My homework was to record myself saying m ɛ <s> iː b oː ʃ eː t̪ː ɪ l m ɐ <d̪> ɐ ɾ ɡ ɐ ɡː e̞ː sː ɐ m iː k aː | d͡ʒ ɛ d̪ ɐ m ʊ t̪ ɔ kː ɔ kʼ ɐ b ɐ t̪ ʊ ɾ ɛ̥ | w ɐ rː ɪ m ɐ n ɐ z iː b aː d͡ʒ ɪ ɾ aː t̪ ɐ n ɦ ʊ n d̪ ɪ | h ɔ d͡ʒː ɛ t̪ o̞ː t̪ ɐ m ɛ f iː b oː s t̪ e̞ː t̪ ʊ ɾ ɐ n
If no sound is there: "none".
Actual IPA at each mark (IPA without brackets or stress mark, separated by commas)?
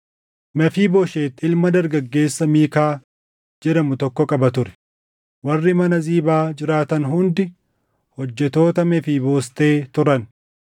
f, d̪